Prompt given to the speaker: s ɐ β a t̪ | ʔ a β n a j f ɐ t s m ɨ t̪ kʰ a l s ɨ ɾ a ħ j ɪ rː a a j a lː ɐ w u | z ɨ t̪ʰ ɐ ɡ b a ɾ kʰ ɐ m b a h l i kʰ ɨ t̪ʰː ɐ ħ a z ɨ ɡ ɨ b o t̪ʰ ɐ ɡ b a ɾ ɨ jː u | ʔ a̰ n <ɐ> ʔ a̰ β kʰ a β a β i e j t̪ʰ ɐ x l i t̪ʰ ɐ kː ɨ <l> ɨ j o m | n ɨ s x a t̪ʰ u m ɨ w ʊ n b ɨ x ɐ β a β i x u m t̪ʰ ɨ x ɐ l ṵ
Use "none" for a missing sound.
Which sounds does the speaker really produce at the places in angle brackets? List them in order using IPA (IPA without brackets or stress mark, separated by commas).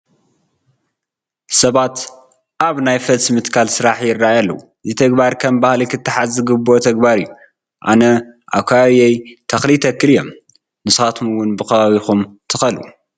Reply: ɐ, l